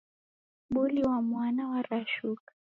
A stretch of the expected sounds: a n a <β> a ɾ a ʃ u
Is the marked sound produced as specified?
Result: no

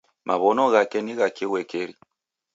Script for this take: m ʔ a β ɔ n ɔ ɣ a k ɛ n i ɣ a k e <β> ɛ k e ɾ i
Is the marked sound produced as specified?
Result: no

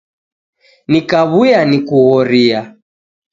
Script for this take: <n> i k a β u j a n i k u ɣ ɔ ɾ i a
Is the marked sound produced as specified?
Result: yes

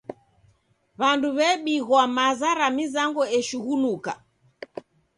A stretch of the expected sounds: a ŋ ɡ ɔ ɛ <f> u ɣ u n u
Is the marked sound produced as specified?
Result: no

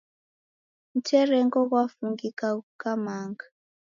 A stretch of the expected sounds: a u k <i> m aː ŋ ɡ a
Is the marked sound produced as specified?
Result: no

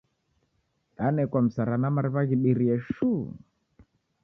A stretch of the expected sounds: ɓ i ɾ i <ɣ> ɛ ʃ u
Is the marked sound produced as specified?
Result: no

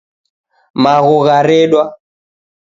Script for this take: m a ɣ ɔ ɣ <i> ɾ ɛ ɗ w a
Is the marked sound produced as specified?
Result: no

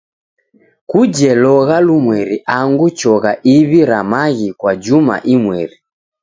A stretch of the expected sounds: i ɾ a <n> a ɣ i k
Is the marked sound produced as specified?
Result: no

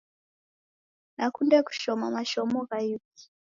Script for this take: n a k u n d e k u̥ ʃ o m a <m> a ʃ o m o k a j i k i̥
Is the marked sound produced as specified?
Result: yes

